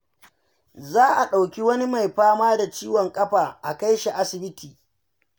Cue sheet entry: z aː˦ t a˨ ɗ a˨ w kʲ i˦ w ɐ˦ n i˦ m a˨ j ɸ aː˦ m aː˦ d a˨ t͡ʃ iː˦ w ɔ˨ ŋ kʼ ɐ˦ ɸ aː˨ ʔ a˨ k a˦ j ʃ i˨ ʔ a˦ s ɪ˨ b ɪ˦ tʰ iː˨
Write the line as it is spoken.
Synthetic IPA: z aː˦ ʔ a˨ ɗ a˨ w kʲ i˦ w ɐ˦ n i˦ m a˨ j ɸ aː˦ m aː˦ d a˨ t͡ʃ iː˦ w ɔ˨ ŋ kʼ ɐ˦ ɸ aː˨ ʔ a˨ k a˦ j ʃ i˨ ʔ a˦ s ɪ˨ b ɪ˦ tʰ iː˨

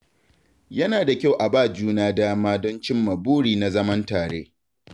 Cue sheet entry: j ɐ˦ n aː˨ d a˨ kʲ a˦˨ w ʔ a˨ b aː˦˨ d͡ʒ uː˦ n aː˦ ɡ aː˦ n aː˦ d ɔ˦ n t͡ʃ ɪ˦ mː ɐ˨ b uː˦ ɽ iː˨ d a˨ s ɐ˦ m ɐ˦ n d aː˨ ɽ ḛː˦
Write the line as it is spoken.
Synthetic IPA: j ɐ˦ n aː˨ d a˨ kʲ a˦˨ w ʔ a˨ b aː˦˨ d͡ʒ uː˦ n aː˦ d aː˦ m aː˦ d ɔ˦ n t͡ʃ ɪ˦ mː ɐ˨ b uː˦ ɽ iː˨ n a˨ z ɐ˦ m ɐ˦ n t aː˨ ɽ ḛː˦

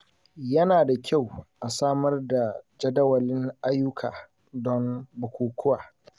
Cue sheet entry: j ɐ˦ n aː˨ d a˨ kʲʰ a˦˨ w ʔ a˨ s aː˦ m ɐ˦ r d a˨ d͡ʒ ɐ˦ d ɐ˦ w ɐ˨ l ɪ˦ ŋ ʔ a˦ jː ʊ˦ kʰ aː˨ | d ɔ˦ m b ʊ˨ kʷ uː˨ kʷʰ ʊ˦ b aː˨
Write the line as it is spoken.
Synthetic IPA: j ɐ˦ n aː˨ d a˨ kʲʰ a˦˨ w ʔ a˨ s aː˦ m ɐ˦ r d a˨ d͡ʒ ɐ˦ d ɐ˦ w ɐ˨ l ɪ˦ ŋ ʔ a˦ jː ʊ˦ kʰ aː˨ | d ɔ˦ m b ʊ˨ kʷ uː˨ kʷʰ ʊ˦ w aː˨

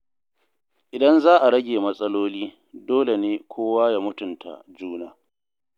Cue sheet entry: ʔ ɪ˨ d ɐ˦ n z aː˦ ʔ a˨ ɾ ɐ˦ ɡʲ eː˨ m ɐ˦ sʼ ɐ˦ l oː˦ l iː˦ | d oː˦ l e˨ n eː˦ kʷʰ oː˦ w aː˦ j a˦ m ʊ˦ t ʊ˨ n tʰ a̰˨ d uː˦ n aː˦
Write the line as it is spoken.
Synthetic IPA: ʔ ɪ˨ d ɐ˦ n z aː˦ ʔ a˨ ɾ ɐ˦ ɡʲ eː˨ m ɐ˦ sʼ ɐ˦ l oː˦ l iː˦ | d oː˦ l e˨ n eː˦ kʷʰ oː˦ w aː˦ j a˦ m ʊ˦ t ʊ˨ n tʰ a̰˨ d͡ʒ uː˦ n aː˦

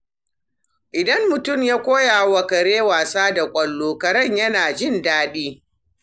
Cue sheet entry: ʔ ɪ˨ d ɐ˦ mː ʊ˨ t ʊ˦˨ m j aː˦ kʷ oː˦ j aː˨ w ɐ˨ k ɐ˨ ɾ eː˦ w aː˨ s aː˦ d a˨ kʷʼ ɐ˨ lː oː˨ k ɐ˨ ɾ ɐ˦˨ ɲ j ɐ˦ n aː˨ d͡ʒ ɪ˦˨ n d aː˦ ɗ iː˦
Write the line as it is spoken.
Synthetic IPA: ʔ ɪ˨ d ɐ˦ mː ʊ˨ t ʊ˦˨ m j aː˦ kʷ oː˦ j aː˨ w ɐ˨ k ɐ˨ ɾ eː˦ w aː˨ s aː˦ d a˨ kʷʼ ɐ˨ lː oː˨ k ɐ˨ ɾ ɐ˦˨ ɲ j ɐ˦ n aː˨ d͡ʒ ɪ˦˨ n d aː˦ ɗ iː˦

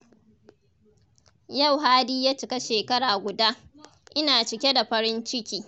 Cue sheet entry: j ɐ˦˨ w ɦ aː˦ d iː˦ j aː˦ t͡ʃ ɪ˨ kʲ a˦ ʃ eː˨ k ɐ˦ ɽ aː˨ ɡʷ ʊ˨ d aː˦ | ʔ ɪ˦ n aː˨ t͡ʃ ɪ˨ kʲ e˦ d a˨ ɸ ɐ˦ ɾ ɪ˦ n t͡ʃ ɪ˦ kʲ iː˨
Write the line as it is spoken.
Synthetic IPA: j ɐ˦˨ w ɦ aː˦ d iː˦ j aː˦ t͡ʃ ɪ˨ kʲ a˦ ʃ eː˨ k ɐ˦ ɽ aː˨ ɡʷ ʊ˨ d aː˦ | ʔ ɪ˦ n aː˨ t͡ʃ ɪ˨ kʲ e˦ d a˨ ɸ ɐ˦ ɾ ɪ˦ n t͡ʃ ɪ˦ kʲ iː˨

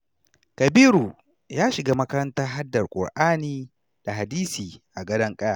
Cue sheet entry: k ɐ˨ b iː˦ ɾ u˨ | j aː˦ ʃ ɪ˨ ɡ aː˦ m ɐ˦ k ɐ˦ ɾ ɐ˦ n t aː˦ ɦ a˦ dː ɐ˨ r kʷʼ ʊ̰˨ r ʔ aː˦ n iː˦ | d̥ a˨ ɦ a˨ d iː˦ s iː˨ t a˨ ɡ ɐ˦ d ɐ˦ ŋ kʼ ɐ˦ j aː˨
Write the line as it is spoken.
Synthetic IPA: k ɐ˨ b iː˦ ɾ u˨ | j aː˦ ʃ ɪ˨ ɡ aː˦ m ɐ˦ k ɐ˦ ɾ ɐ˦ n t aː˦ ɦ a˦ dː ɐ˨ r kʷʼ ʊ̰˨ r ʔ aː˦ n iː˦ | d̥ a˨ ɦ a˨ d iː˦ s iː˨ ʔ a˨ ɡ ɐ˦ d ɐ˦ ŋ kʼ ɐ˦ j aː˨

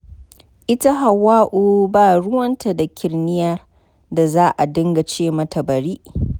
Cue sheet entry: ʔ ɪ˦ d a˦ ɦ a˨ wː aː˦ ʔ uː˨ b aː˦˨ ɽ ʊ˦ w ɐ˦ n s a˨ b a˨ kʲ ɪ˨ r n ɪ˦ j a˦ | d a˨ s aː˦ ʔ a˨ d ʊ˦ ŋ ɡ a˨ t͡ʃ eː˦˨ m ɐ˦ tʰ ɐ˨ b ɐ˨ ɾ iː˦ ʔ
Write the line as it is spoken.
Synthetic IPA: ʔ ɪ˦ t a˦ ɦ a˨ wː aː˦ ʔ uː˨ b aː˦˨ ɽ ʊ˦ w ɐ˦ n t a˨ d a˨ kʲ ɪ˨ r n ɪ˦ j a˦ | d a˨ z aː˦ ʔ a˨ d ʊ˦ ŋ ɡ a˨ t͡ʃ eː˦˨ m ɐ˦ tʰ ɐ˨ b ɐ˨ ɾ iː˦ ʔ

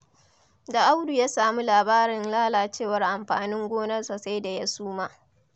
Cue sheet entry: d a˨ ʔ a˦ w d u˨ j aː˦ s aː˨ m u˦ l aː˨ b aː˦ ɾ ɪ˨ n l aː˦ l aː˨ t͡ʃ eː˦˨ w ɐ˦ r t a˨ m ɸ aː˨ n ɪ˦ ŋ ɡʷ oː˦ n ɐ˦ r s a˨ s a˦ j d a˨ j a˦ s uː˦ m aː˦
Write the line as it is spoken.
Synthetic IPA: d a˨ ʔ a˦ w d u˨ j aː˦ s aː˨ m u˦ l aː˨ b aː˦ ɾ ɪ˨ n l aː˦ l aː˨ t͡ʃ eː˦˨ w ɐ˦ r ʔ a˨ m ɸ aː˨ n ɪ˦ ŋ ɡʷ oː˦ n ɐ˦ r s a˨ s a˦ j d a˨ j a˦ s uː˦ m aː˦

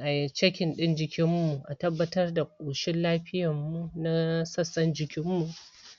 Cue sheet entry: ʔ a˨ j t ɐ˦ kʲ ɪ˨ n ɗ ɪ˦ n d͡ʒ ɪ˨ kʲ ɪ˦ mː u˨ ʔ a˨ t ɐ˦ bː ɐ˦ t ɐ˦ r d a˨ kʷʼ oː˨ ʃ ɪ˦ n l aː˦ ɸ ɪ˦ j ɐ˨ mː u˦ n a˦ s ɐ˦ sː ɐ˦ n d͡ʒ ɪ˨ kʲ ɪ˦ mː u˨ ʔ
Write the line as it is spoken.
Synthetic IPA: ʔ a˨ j t͡ʃ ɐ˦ kʲ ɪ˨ n ɗ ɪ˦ n d͡ʒ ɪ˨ kʲ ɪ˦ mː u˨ ʔ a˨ t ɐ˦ bː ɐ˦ t ɐ˦ r d a˨ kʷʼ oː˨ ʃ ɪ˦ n l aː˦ ɸ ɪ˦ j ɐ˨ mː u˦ n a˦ s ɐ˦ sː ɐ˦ n d͡ʒ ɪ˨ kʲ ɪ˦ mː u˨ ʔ

